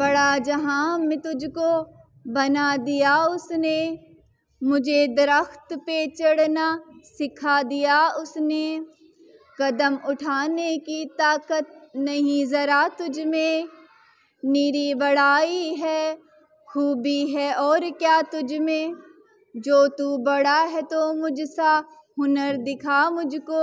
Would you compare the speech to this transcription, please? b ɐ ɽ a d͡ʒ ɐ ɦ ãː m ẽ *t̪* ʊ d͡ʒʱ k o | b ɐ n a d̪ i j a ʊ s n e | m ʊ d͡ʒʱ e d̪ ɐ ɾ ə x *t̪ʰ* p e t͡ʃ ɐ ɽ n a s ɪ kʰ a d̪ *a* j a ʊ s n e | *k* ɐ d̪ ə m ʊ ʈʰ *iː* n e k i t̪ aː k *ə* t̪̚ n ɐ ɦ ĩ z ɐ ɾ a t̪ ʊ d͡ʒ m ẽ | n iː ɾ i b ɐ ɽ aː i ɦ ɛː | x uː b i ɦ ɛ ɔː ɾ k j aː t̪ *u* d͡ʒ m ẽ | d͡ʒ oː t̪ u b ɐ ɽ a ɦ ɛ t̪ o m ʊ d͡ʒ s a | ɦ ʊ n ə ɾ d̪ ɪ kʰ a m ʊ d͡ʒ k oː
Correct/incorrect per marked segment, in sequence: correct, incorrect: t̪, incorrect: i, correct, incorrect: aː, correct, incorrect: ʊ

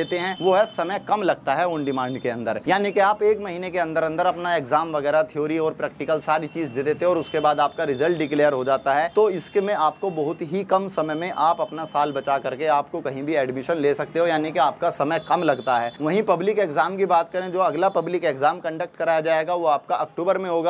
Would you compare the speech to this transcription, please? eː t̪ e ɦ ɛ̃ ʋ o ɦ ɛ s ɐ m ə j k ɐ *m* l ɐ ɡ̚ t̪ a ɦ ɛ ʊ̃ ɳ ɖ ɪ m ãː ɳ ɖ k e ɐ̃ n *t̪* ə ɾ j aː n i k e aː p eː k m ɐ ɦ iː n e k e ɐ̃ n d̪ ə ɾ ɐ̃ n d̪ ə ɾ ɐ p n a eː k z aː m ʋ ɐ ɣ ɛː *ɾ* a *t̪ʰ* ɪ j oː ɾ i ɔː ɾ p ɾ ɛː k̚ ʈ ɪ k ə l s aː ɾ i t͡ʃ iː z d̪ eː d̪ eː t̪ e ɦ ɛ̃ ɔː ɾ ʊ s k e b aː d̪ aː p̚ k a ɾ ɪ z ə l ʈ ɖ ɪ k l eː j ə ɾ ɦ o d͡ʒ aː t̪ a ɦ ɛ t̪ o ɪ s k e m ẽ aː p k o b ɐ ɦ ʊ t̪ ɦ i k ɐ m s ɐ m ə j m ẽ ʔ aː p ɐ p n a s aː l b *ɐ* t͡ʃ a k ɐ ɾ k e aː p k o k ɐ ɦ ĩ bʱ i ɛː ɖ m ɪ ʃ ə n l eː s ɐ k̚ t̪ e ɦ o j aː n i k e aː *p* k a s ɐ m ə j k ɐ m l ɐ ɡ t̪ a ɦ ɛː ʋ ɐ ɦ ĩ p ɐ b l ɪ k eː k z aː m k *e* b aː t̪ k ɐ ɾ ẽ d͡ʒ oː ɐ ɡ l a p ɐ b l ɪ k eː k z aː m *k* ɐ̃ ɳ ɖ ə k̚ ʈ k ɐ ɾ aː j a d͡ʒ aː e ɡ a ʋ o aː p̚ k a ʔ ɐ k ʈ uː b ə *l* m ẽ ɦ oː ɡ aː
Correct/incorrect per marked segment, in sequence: correct, incorrect: d̪, correct, correct, correct, correct, incorrect: i, correct, incorrect: ɾ

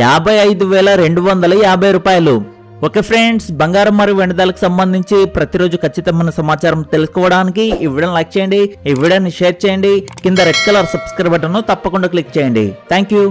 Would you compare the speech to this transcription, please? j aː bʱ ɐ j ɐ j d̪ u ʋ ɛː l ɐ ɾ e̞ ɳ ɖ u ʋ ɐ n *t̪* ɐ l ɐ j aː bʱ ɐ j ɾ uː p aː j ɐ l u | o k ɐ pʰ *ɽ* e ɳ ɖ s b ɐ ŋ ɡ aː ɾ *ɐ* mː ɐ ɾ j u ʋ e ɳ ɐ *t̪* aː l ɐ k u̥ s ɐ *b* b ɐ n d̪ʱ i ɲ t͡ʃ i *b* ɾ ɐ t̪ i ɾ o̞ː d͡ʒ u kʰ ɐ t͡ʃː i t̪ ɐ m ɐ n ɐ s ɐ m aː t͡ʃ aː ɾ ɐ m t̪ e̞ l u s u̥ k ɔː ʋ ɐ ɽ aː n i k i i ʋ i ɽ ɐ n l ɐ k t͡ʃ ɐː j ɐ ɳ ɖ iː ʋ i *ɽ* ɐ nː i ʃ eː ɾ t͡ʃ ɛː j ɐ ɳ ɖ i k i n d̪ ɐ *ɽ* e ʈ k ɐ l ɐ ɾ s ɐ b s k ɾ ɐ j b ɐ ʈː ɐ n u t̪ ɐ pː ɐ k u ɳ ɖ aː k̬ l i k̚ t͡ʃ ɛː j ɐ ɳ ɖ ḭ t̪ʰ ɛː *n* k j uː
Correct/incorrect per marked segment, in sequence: incorrect: d̪, incorrect: ɾ, correct, incorrect: d̪, incorrect: m, incorrect: p, correct, incorrect: ɾ, incorrect: ŋ

